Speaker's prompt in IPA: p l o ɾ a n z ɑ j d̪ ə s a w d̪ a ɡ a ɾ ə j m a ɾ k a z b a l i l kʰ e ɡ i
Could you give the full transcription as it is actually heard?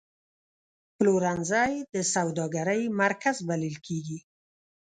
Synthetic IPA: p l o ɾ a n z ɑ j d̪ ə s a w d̪ ɑ ɡ a ɾ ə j m a ɾ k a z b a l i l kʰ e ɡ i